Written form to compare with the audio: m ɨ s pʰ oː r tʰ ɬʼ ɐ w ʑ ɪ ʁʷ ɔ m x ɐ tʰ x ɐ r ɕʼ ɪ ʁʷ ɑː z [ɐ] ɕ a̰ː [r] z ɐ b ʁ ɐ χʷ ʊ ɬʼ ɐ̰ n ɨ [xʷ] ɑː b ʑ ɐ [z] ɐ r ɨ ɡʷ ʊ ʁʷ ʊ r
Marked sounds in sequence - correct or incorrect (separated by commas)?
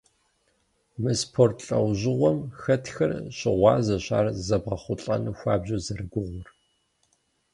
correct, correct, correct, correct